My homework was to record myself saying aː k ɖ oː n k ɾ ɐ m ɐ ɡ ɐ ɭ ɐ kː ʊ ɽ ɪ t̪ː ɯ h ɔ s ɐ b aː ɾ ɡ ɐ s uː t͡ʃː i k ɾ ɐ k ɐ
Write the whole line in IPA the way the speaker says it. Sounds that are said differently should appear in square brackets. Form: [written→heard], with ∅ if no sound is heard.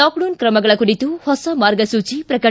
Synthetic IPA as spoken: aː k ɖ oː n k ɾ ɐ m ɐ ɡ ɐ ɭ ɐ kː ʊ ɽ ɪ t̪ː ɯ h ɔ s ɐ [b→m] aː ɾ ɡ ɐ s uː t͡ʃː i [k→p] ɾ ɐ k ɐ